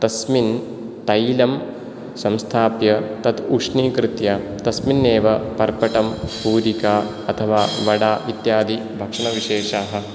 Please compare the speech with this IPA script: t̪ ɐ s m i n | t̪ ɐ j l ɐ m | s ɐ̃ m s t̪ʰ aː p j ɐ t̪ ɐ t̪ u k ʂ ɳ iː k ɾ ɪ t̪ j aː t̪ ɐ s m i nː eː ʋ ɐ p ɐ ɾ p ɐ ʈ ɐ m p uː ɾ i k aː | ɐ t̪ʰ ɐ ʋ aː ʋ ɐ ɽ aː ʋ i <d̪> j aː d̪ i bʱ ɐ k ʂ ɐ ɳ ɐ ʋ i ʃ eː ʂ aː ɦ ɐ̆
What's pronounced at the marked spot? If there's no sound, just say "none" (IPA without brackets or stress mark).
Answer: t̪